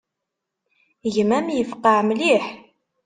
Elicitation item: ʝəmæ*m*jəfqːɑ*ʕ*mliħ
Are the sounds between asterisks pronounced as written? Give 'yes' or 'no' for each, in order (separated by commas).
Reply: yes, yes